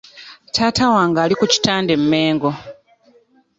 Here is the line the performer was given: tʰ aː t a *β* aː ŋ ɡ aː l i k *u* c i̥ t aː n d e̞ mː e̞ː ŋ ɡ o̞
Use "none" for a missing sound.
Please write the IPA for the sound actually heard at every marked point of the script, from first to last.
w, u

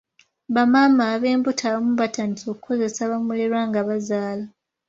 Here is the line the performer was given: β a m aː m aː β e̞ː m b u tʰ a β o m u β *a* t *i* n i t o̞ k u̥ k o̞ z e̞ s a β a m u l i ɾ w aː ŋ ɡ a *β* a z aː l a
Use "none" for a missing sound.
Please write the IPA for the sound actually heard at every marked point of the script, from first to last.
a, a, β

